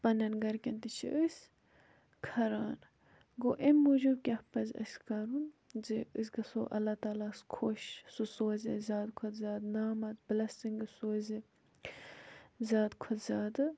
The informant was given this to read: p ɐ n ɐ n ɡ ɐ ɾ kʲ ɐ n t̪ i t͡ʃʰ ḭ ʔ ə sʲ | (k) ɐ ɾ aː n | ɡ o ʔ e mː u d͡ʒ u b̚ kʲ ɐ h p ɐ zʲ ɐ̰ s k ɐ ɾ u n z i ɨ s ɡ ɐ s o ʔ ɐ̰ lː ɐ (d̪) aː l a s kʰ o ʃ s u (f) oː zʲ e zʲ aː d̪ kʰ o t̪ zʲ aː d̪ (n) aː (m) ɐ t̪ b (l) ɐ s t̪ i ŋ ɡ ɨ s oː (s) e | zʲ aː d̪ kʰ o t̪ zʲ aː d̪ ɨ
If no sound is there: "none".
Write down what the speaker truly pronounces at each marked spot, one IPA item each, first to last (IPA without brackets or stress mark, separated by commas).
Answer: kʰ, t̪, s, n, m, l, z